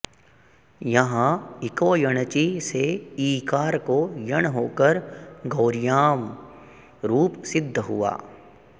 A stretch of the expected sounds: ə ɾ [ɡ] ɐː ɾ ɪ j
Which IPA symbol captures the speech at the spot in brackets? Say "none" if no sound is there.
ɡ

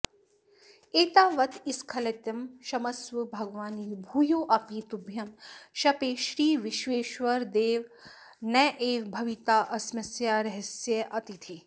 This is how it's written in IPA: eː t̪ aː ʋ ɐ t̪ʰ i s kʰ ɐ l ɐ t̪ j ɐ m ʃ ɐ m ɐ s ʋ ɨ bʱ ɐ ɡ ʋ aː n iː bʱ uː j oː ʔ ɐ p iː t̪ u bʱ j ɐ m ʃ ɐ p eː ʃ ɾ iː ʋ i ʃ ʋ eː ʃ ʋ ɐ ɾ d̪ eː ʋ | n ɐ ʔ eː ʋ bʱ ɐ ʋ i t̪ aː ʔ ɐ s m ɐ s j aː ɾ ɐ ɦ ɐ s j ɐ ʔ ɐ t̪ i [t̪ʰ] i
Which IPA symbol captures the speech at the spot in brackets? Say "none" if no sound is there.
t̪ʰ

